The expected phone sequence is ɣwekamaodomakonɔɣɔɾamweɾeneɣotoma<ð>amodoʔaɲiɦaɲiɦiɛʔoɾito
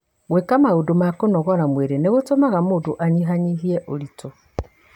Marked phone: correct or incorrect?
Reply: incorrect